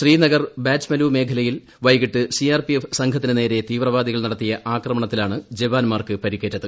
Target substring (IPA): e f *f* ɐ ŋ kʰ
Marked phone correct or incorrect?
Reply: incorrect